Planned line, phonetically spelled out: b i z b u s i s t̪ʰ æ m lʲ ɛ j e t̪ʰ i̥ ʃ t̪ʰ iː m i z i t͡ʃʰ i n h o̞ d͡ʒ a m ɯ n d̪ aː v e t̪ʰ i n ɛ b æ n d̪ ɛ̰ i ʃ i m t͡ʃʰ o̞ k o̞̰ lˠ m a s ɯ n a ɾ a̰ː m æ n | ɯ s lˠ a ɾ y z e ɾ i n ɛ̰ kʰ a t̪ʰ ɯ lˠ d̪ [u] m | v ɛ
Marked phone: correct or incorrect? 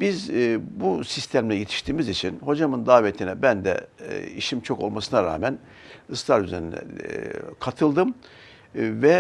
incorrect